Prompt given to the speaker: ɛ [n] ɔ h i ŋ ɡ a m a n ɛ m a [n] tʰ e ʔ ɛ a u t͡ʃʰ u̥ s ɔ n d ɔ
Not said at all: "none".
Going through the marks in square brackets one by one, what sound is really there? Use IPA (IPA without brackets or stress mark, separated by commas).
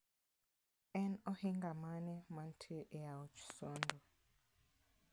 n, n